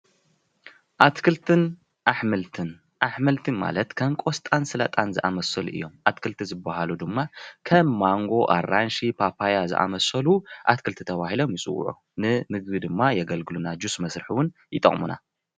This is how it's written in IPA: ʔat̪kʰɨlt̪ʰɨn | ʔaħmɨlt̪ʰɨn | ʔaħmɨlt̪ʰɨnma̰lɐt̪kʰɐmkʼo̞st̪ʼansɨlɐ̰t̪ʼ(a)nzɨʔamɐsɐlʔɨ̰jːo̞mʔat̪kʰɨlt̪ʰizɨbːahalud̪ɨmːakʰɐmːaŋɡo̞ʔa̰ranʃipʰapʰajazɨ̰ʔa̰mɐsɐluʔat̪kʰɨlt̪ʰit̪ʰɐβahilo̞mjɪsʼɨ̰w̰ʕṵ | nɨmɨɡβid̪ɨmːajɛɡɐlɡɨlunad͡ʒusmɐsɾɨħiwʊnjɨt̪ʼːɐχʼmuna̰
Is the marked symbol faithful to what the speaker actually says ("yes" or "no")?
yes